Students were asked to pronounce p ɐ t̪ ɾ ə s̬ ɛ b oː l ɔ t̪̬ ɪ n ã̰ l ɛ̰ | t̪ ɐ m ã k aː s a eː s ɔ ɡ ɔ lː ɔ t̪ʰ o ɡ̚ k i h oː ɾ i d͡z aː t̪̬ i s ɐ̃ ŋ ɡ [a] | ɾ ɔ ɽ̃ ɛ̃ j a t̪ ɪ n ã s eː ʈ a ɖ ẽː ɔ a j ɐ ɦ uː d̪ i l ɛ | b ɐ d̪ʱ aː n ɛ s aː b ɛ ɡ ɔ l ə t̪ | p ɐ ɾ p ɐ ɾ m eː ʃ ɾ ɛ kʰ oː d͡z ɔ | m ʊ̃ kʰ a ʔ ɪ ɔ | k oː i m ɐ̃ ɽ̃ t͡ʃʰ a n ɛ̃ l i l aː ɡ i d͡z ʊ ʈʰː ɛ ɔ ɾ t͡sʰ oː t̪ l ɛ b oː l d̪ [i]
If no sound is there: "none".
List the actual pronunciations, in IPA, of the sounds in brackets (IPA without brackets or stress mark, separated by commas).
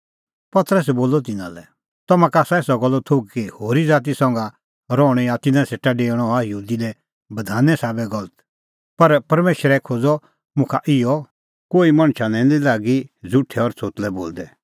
a, ɛ